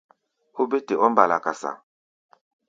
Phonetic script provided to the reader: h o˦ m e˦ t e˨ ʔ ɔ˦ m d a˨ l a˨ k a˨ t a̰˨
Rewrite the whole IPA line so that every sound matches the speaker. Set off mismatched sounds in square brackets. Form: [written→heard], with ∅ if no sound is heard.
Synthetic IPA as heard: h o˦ [m→b] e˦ t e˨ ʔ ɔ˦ m [d→b] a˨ l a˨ k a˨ [t→s] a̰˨